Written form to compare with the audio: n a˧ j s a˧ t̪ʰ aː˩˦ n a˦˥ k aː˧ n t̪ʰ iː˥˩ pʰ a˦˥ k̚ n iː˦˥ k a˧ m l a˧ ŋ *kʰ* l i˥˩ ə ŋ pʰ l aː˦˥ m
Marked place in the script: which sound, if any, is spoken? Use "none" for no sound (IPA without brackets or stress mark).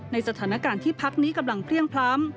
pʰ